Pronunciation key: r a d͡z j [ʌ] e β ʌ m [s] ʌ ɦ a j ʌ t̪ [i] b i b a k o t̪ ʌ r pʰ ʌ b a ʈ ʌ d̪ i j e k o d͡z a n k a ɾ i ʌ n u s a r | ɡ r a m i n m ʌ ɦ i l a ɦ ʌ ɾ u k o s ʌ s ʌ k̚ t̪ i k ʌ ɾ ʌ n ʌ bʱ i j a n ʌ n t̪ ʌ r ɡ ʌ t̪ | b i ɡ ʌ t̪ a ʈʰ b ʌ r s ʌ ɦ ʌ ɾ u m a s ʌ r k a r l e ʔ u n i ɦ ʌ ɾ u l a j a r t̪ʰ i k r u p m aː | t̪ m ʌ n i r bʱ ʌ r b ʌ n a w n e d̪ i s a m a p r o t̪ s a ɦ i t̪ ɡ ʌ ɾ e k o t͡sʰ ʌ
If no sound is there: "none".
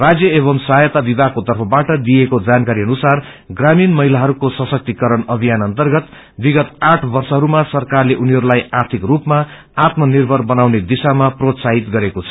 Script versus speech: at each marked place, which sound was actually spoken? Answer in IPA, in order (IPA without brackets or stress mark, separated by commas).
ʌ, s, a